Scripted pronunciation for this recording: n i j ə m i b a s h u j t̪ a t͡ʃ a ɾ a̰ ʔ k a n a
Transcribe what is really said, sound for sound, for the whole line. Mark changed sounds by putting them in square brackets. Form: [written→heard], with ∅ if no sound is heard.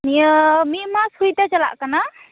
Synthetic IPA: n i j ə m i [b→m] a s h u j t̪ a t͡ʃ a [ɾ→l] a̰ ʔ k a n a